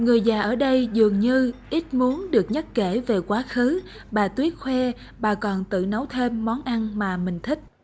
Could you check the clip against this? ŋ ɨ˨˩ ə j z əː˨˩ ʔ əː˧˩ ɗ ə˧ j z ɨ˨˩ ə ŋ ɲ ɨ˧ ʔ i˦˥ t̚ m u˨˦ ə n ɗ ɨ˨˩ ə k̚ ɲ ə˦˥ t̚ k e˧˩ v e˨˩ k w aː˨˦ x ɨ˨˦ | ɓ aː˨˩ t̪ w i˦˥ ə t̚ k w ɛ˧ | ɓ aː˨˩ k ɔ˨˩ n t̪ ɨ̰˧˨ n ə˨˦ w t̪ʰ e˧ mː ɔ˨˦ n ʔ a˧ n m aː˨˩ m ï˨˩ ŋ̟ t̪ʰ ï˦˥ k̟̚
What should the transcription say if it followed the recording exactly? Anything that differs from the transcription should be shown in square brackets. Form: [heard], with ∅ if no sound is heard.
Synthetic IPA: ŋ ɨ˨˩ ə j z [aː˨˩] ʔ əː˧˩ ɗ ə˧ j z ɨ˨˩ ə ŋ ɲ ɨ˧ ʔ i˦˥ t̚ m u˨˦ ə n ɗ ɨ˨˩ ə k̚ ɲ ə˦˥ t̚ k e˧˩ v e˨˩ k w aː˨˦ x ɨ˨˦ | ɓ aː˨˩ t̪ w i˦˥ ə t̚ [x] w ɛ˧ | ɓ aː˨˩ k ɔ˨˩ n t̪ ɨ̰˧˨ n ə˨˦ w t̪ʰ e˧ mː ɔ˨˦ n ʔ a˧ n m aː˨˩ m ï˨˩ ŋ̟ t̪ʰ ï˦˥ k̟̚